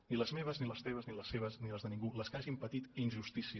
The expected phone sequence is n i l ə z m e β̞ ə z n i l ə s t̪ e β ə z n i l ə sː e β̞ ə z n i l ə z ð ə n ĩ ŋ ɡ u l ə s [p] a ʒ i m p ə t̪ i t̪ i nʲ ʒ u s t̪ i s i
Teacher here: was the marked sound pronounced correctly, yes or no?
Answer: no